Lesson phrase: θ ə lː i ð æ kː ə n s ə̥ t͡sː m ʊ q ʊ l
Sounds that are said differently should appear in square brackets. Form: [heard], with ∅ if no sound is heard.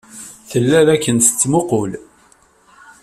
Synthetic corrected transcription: θ ə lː [æ] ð æ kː ə n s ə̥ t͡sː m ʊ q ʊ l

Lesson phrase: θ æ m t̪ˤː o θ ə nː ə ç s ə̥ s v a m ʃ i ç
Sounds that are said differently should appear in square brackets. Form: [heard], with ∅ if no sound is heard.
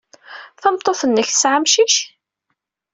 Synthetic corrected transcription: θ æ m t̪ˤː o θ ə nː ə ç [θ] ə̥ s [ʕ] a m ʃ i ç

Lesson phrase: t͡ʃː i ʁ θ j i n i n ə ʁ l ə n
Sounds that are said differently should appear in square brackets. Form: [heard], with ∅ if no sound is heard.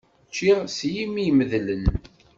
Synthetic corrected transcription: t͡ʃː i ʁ [s] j i [m] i [m] ə [ð] l ə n

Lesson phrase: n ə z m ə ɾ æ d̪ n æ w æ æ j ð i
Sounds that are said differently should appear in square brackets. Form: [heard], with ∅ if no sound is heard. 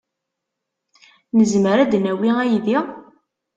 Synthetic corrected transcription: n ə z m ə ɾ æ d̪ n æ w [i] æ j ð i

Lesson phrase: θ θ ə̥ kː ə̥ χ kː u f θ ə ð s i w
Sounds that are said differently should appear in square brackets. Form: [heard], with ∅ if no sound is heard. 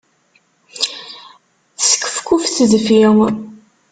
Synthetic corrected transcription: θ [s] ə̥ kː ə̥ [f] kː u f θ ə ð [f] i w

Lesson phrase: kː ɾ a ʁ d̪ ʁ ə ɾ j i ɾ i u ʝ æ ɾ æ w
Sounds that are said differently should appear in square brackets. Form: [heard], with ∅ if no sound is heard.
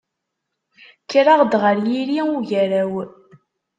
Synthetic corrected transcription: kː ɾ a ʁ d̪ ʁ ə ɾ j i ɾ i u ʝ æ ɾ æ w

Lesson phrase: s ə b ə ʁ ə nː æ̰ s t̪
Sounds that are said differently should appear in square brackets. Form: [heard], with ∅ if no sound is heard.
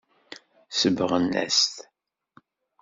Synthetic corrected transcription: s ə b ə ʁ ə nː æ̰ s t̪

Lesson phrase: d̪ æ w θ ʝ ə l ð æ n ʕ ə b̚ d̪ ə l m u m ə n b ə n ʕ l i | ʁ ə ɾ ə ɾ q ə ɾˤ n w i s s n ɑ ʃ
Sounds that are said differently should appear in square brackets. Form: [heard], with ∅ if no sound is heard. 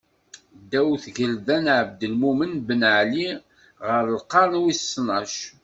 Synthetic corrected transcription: d̪ æ w θ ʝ ə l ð æ n ʕ ə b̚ d̪ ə l m u m ə n b ə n ʕ l i | ʁ ə ɾ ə [l] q [ɑ] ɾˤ n w i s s n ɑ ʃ

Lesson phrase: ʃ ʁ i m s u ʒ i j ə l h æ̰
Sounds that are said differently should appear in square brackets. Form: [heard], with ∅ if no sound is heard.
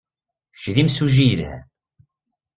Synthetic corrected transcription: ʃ [ð] i m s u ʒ i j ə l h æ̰

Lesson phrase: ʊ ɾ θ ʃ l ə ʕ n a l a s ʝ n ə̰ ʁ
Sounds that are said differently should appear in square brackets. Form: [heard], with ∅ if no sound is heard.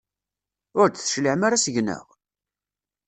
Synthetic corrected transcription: ʊ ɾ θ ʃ l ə ʕ [m] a [ɾ] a s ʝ n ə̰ ʁ

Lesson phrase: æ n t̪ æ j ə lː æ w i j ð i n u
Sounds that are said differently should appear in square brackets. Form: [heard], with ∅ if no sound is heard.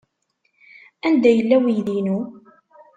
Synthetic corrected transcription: æ n [d̪] æ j ə lː æ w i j ð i n u

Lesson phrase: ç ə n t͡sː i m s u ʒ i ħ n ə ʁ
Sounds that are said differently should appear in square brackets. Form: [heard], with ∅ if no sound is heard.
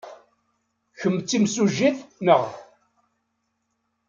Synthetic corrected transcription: ç ə [m] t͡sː i m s u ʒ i [θ] n ə ʁ

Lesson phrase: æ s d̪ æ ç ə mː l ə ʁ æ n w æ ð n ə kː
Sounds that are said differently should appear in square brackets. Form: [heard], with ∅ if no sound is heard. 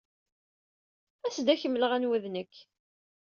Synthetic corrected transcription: æ s d̪ æ ç ə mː l ə ʁ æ n w æ ð n ə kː

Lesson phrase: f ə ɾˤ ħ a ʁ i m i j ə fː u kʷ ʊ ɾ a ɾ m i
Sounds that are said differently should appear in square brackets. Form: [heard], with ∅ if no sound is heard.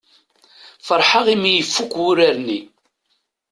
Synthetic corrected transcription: f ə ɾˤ ħ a ʁ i m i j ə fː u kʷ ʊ ɾ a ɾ [n] i

